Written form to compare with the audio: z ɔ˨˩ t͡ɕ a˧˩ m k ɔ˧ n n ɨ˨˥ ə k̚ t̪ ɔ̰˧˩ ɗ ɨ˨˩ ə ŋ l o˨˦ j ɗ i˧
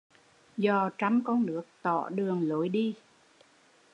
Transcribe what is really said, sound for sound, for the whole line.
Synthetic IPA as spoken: z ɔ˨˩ t͡ɕ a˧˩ m k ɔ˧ n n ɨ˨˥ ə k̚ t̪ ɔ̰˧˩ ɗ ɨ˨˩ ə ŋ l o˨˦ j ɗ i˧